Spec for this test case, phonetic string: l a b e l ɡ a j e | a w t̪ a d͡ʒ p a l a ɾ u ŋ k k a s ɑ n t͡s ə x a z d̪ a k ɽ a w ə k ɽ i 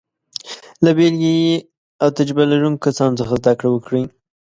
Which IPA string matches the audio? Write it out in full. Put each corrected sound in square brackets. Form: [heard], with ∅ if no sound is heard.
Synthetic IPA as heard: l a b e l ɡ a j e | a w t̪ a d͡ʒ [b] a l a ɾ u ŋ k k a s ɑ n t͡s ə x a z d̪ a k ɽ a w ə k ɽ i